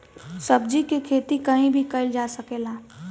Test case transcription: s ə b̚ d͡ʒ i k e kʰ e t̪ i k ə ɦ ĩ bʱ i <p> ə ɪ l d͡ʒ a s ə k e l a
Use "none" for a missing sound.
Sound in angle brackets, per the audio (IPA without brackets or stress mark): k